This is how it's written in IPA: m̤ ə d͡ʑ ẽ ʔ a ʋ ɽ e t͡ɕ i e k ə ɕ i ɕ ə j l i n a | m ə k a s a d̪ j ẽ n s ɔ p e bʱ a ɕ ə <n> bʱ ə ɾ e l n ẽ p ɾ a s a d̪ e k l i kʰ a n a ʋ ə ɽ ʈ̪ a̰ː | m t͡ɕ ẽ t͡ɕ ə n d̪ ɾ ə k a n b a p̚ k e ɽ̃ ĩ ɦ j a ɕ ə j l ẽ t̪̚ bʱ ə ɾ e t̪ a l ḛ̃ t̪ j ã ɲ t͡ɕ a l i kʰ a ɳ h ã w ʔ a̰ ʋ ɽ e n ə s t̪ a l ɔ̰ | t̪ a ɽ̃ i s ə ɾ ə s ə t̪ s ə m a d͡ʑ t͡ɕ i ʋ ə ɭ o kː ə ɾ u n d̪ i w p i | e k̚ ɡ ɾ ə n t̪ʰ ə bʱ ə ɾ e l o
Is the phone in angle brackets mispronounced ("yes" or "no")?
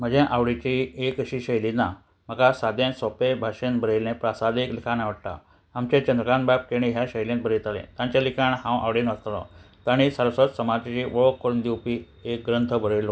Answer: no